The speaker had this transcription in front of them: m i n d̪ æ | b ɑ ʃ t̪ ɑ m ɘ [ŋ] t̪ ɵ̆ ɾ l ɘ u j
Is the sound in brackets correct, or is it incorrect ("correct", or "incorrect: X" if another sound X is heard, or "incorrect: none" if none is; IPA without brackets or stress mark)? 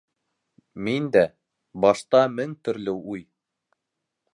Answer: correct